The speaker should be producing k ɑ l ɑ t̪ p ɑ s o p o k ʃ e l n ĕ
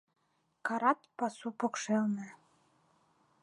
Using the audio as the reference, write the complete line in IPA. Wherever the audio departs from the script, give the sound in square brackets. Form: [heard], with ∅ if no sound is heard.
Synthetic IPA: k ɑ [ɾ] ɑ t̪ p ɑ s [u] p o k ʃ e l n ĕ